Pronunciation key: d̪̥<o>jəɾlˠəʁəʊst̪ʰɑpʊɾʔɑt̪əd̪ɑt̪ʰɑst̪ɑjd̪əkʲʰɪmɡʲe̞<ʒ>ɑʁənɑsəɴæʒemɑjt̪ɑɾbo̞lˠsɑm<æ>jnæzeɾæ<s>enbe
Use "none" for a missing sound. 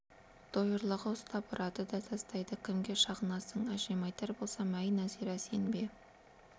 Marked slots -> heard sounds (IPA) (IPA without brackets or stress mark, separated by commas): o, ʃ, æ, s